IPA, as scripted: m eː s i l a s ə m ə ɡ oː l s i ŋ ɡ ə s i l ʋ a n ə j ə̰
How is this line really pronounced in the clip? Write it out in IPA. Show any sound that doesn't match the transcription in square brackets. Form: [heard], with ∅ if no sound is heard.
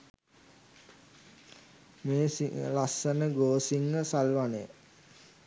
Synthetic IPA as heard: m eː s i l a s ə [n] ə ɡ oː [∅] s i ŋ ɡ ə s [a] l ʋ a n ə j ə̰